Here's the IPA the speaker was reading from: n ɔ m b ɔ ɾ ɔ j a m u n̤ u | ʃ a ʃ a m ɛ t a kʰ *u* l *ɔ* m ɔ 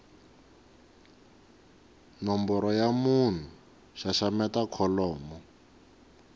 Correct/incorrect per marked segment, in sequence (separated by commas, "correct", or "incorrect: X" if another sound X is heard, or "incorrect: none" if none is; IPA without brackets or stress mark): incorrect: ɔ, incorrect: ɔː